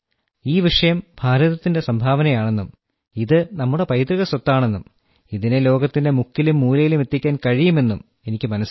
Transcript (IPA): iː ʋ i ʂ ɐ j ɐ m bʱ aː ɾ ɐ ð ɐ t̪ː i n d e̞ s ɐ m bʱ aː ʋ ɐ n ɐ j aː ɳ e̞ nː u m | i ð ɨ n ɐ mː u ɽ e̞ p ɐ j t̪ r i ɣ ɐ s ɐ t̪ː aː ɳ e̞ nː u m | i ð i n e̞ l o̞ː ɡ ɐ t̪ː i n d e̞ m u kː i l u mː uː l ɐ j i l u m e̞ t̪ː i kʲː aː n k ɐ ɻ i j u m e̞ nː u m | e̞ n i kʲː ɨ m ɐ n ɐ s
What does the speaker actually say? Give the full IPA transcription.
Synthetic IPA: iː ʋ i ʂ ɐ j ɐ m bʱ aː ɾ ɐ ð ɐ t̪ː i n d e̞ s ɐ m bʱ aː ʋ ɐ n ɐ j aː ɳ e̞ nː u m | i ð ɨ n ɐ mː u ɽ e̞ p ɐ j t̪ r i ɣ ɐ s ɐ t̪ː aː ɳ e̞ nː u m | i ð i n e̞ l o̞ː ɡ ɐ t̪ː i n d e̞ m u kː i l u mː uː l ɐ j i l u m e̞ t̪ː i kʲː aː n k ɐ ɻ i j u m e̞ nː u m | e̞ n i kʲː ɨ m ɐ n ɐ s

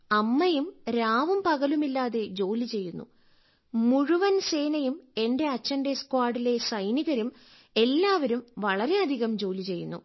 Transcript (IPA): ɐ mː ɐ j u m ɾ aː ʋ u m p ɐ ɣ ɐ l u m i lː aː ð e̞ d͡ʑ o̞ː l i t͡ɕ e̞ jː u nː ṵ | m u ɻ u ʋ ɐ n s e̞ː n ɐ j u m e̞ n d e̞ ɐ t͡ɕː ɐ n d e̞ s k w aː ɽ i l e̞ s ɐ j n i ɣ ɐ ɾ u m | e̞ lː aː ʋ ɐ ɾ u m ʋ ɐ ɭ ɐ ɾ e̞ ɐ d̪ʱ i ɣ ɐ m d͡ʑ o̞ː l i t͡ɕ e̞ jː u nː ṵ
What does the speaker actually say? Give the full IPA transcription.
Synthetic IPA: ɐ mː ɐ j u m ɾ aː ʋ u m p ɐ ɣ ɐ l u m i lː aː ð e̞ d͡ʑ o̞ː l i t͡ɕ e̞ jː u nː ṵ | m u ɻ u ʋ ɐ n s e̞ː n ɐ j u m e̞ n d e̞ ɐ t͡ɕː ɐ n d e̞ s k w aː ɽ i l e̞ s ɐ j n i ɣ ɐ ɾ u m | e̞ lː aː ʋ ɐ ɾ u m ʋ ɐ ɭ ɐ ɾ e̞ ɐ d̪ʱ i ɣ ɐ m d͡ʑ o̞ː l i t͡ɕ e̞ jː u nː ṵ

